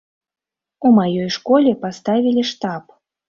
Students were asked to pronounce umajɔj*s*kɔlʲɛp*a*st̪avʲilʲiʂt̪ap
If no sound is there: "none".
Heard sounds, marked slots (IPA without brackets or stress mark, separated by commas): ʂ, a